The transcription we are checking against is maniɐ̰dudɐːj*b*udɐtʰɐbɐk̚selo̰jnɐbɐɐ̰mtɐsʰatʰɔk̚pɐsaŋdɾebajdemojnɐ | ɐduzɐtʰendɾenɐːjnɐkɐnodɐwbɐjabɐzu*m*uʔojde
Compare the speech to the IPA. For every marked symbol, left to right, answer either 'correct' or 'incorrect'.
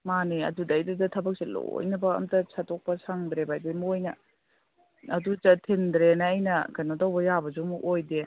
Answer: incorrect, correct

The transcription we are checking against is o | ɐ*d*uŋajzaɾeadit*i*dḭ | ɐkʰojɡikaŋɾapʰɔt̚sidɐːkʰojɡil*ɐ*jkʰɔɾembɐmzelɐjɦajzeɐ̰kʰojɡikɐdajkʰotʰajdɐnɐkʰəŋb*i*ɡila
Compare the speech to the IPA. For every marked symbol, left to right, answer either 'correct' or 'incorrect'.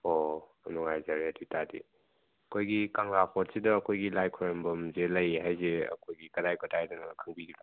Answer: incorrect, incorrect, incorrect, correct

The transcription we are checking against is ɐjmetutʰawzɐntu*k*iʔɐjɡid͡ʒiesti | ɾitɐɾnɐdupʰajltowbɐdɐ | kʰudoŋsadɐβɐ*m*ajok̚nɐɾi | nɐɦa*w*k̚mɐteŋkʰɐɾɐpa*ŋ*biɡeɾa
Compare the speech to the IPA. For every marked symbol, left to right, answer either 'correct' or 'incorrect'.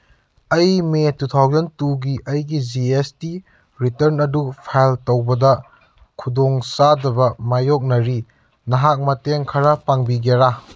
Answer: incorrect, correct, incorrect, correct

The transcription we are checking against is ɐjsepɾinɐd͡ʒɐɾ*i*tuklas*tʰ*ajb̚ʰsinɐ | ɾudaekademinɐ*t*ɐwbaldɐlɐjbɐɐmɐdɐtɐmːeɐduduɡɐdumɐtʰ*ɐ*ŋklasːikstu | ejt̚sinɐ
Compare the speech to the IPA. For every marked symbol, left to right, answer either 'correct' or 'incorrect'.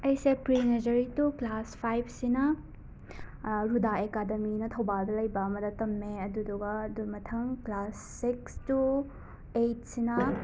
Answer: correct, incorrect, incorrect, correct

